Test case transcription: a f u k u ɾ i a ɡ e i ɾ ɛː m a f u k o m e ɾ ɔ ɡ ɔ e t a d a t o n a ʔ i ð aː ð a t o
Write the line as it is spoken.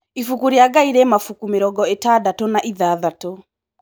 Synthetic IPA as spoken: i f u k u ɾ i a ɡ a i ɾ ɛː m a f u k u m e ɾ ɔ ɡ ɔ e t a d a t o n a ʔ i ð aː ð a t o